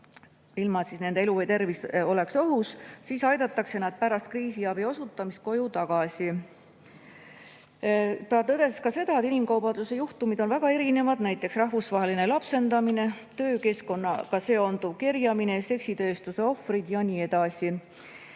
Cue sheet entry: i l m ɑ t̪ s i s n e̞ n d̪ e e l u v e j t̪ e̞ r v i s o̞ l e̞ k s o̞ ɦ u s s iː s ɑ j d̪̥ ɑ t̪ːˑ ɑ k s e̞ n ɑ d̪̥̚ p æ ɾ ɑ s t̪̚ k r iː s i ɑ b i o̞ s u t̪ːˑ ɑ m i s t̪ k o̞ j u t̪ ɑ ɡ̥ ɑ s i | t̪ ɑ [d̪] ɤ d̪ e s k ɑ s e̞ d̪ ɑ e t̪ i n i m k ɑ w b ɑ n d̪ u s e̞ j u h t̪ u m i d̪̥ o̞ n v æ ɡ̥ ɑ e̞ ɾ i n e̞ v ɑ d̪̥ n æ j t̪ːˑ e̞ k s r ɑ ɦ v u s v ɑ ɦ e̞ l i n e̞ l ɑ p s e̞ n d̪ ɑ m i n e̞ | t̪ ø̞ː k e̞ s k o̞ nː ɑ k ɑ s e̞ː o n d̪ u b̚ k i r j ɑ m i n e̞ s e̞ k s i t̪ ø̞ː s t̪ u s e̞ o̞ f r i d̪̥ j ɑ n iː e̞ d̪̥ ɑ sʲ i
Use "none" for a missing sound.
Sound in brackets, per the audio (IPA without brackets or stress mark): t̪